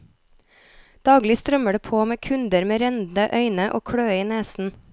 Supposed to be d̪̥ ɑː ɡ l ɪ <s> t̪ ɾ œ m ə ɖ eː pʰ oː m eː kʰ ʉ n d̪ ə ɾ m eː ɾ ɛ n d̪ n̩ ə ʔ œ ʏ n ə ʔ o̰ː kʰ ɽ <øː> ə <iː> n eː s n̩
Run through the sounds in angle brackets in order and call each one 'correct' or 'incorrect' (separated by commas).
correct, correct, correct